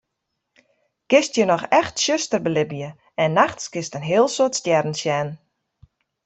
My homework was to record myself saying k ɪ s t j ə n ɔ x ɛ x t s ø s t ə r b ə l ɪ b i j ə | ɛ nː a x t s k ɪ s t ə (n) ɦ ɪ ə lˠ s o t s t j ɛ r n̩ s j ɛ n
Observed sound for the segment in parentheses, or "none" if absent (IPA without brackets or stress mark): n